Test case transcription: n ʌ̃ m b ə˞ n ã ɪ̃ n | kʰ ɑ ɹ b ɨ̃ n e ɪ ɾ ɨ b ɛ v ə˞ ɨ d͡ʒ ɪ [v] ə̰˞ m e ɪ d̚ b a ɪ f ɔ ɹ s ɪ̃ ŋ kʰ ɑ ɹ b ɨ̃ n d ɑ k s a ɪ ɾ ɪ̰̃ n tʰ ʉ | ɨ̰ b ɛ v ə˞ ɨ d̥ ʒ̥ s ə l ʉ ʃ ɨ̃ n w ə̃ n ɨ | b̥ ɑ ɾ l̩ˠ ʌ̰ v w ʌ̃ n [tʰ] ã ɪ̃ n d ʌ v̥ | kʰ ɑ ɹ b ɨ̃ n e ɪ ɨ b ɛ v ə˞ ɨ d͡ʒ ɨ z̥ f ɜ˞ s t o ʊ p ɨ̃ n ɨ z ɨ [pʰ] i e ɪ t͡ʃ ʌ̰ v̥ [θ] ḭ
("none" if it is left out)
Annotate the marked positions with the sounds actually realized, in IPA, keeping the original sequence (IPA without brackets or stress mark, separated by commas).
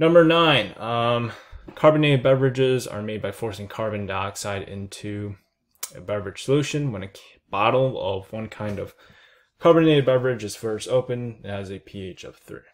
z, kʰ, pʰ, θ